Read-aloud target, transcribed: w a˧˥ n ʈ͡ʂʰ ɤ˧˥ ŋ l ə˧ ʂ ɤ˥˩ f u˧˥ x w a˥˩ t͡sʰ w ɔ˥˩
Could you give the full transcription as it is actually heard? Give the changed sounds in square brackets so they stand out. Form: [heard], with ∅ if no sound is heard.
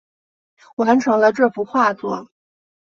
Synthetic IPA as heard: w a˧˥ n ʈ͡ʂʰ ɤ˧˥ ŋ l ə˧ [ʈ͡ʂ] ɤ˥˩ f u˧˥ x w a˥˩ [t͡s] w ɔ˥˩

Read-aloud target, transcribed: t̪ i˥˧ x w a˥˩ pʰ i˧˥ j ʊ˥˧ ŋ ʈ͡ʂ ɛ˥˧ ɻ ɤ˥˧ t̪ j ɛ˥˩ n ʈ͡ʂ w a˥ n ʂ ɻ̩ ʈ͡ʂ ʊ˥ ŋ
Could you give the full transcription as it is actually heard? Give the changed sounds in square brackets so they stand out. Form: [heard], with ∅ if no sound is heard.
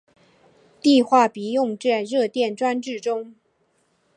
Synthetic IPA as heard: t̪ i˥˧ x w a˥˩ [p] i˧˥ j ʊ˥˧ ŋ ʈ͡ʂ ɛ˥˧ ɻ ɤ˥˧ t̪ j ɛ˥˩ n ʈ͡ʂ w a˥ n [ʈ͡ʂ] ɻ̩ ʈ͡ʂ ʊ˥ ŋ

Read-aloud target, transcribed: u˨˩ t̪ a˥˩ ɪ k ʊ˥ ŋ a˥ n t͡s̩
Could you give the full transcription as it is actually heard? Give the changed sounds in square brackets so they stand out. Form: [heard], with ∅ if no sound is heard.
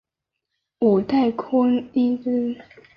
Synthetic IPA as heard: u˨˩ t̪ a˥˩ ɪ [kʰ] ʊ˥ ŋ [i˥] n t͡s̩

